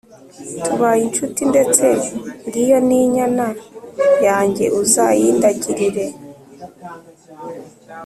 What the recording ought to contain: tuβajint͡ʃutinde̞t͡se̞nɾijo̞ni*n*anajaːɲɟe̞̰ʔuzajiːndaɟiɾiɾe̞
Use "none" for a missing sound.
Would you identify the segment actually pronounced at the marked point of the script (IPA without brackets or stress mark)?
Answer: ɲ